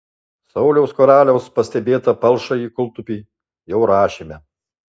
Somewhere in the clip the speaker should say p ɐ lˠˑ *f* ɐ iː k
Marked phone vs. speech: incorrect: ʃ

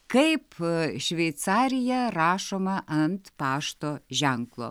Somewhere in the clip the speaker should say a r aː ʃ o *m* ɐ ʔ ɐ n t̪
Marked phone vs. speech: correct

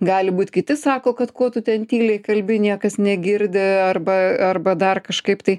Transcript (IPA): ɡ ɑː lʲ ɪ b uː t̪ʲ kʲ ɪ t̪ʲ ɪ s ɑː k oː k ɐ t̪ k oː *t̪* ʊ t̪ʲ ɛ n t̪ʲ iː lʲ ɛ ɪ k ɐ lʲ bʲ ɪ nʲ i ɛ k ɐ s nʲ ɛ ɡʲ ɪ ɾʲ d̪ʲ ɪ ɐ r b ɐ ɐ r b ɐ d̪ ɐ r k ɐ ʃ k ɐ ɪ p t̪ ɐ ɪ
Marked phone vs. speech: correct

